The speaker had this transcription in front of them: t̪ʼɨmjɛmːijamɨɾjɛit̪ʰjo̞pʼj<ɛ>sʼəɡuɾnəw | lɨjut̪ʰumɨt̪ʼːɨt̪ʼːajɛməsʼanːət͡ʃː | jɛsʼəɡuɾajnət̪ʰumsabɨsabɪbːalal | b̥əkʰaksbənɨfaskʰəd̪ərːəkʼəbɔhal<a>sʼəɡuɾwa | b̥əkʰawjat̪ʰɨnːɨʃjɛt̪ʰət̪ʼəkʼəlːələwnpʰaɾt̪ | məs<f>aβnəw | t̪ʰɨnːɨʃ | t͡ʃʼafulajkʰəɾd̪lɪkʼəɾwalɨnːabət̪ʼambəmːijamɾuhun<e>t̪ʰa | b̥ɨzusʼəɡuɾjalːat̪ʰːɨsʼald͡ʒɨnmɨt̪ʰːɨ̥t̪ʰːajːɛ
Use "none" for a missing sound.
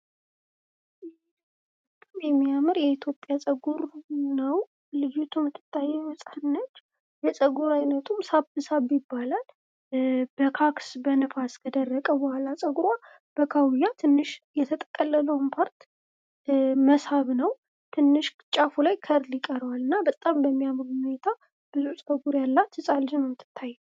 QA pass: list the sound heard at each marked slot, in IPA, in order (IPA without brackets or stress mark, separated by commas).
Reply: a, a, h, e